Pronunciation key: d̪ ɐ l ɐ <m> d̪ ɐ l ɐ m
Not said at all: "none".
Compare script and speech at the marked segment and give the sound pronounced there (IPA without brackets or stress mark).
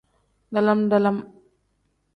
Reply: m